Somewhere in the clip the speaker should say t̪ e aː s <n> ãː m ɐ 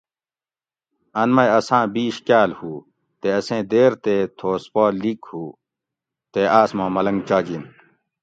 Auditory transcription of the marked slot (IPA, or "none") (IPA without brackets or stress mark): m